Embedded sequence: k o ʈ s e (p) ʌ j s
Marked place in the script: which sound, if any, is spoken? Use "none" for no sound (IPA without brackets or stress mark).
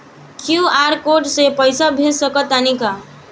p